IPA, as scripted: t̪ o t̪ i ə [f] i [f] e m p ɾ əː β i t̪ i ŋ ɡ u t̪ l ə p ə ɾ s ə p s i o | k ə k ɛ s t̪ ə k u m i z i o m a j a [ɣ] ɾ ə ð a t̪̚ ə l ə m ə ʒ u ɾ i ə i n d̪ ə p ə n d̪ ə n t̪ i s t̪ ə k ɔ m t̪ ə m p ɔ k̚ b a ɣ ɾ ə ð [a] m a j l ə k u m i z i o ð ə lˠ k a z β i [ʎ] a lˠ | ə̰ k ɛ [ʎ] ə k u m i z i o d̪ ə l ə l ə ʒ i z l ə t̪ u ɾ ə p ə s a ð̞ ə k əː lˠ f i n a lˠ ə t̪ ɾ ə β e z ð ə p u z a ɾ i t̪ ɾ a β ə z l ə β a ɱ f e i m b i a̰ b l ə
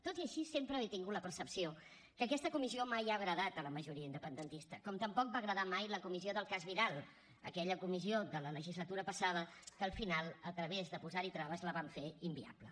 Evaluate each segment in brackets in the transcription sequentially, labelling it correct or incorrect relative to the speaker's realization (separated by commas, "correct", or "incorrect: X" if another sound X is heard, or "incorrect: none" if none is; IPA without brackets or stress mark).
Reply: incorrect: ʃ, incorrect: s, correct, correct, incorrect: ɾ, correct